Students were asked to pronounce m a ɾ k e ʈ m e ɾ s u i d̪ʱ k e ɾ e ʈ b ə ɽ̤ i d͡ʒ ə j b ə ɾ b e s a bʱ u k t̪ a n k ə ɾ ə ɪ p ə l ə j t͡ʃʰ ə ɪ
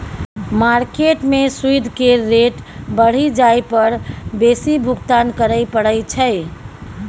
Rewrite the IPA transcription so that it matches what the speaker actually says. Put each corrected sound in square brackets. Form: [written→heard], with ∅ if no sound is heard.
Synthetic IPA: m a ɾ k e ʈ m e [ɾ→∅] s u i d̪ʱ k e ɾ e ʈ b ə ɽ̤ i d͡ʒ [ə→a] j [b→p] ə ɾ b e s [a→i] bʱ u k t̪ a n k ə ɾ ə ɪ p ə [l→ɽ] ə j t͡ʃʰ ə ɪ